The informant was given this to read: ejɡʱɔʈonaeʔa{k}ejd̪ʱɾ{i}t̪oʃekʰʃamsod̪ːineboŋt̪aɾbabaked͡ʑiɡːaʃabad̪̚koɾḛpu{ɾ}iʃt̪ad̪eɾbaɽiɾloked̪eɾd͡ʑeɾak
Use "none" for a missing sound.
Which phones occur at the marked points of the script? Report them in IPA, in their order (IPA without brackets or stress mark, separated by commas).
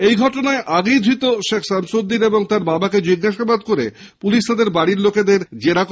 ɡ, i, l